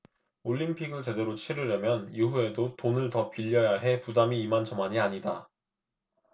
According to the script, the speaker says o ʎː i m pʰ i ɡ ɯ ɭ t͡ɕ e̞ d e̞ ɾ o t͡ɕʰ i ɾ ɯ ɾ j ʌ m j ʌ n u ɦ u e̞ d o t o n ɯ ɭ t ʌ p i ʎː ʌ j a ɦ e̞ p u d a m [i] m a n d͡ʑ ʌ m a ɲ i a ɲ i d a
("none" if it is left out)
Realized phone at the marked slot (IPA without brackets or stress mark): iː